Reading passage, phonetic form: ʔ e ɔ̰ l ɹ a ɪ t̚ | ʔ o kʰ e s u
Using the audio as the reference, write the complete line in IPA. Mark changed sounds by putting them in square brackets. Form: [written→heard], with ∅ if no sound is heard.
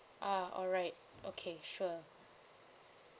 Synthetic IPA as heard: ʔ [e→a] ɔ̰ l ɹ a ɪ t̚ | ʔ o kʰ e [s→ʃ] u